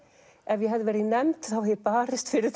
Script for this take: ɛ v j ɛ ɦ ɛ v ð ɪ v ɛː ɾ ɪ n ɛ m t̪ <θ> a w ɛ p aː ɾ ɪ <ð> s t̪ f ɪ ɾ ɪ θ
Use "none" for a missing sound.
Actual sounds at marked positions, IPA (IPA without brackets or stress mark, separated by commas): θ, none